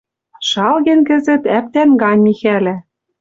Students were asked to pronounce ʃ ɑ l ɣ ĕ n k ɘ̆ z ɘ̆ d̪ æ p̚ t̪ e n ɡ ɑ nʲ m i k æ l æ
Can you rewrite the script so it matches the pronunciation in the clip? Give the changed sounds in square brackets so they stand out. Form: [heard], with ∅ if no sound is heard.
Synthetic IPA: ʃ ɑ l ɣ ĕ n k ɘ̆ z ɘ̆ [t̪] æ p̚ t̪ [æ] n ɡ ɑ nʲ m i [x] æ l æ